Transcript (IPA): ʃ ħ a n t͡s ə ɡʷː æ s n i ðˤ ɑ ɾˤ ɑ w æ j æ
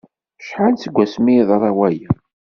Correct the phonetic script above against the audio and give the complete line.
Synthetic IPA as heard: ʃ ħ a n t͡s ə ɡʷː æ s m i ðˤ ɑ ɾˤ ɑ w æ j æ